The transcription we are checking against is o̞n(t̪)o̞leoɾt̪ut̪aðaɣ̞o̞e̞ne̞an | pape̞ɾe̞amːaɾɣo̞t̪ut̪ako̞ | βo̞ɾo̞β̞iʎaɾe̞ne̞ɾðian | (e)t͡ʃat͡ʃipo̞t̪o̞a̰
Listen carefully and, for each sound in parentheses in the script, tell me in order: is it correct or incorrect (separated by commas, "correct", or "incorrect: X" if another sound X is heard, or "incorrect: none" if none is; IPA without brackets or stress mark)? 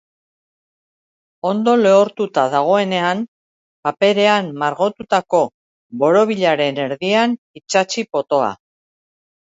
incorrect: d̪, incorrect: i